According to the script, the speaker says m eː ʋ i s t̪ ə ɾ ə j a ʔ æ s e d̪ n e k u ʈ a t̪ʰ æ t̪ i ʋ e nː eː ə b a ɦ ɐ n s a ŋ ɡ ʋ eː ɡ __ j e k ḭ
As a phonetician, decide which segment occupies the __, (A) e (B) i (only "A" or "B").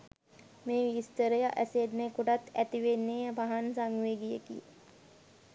B